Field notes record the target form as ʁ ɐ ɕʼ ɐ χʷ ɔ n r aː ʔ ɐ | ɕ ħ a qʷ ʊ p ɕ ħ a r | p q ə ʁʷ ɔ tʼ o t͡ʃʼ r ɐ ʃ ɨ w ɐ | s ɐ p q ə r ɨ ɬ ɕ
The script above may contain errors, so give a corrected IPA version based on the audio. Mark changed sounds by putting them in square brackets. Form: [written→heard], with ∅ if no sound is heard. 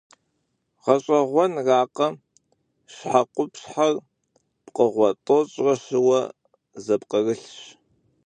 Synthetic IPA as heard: ʁ ɐ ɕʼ ɐ [χʷ→ʁʷ] ɔ n r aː [ʔ→q] ɐ | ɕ ħ a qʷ ʊ p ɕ ħ a r | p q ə ʁʷ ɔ tʼ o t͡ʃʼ r ɐ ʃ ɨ w ɐ | [s→z] ɐ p q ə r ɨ ɬ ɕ